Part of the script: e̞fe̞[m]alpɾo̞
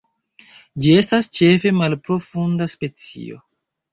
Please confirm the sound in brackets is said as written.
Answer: yes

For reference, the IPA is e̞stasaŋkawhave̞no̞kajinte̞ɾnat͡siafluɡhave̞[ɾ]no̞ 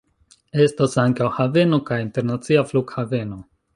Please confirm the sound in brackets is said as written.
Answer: no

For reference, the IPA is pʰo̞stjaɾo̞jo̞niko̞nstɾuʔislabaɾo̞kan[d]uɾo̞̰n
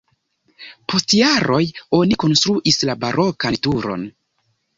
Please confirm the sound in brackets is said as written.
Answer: no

